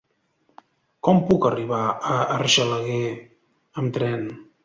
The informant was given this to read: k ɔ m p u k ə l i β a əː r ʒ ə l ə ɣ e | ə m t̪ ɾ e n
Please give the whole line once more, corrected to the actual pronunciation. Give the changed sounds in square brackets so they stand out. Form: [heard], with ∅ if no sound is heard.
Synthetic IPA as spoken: k ɔ m p u k ə [r] i β a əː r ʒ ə l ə ɣ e | ə m t̪ ɾ [ɛ] n